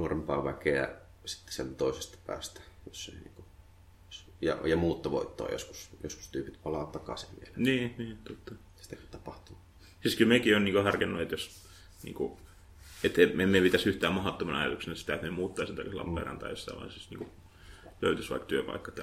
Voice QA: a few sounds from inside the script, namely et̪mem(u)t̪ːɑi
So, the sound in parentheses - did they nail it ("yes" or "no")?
no